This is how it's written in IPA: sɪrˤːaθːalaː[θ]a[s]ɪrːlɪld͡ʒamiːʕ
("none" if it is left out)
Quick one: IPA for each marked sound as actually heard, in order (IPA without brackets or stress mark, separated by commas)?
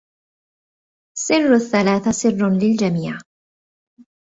θ, s